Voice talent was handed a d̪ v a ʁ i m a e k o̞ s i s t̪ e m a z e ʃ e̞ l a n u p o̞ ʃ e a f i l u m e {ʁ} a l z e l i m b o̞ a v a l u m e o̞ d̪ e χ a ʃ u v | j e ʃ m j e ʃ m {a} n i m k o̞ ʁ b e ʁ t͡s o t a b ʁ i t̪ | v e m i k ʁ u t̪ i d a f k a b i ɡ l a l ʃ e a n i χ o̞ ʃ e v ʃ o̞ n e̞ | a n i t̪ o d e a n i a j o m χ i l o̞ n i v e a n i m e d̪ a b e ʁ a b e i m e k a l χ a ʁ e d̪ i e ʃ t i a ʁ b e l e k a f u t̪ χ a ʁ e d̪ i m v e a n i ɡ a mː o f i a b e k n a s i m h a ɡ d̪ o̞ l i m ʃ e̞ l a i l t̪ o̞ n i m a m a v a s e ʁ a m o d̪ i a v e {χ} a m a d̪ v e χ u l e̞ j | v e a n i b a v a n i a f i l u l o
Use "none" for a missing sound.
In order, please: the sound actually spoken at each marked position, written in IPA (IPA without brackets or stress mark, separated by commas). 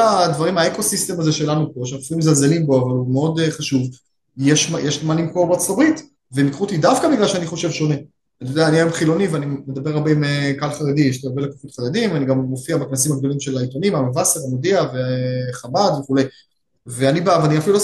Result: z, a, χ